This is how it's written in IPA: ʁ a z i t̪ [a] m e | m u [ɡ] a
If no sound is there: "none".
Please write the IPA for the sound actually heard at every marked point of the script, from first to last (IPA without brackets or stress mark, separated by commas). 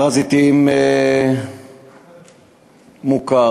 i, k